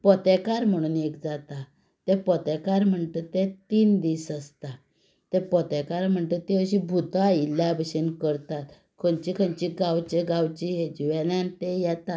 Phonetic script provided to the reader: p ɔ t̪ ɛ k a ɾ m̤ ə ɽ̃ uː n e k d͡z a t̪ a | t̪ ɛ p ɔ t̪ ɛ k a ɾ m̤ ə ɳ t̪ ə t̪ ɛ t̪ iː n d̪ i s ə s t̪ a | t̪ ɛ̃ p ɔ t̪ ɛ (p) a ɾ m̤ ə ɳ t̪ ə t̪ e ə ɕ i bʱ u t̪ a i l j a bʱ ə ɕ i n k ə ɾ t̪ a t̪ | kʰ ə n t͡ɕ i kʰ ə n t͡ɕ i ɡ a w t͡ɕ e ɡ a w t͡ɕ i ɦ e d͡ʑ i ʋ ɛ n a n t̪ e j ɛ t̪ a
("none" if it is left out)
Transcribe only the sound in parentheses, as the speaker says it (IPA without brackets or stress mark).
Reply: k